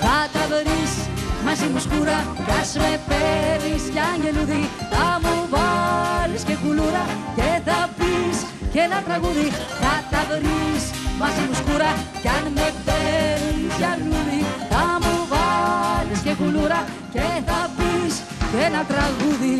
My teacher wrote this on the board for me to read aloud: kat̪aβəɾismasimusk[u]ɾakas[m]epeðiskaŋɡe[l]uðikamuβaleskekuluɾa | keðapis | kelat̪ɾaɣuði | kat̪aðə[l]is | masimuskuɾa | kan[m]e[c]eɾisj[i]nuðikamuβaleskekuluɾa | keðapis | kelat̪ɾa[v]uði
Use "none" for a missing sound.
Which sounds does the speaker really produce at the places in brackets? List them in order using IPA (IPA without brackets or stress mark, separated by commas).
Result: u, m, l, ɾ, m, p, a, ɣ